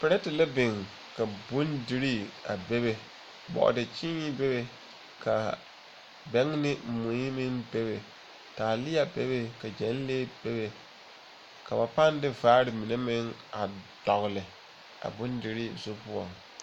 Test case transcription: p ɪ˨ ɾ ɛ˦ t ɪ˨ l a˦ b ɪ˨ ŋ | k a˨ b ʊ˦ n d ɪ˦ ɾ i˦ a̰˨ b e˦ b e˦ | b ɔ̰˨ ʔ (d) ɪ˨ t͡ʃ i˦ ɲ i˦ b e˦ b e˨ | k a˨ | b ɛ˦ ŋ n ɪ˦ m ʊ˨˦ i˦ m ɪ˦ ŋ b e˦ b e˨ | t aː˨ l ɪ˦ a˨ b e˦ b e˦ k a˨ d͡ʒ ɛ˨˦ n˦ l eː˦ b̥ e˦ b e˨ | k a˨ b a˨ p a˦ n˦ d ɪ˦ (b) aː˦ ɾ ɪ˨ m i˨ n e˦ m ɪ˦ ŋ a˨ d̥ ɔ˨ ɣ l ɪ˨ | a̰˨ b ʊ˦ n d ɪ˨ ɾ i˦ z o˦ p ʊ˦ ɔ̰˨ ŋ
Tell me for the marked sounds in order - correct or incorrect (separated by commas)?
correct, incorrect